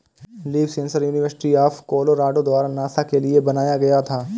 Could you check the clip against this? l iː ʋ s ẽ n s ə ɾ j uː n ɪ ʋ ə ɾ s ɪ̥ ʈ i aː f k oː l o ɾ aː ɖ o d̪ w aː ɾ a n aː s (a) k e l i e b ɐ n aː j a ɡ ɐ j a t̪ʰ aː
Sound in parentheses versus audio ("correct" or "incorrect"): correct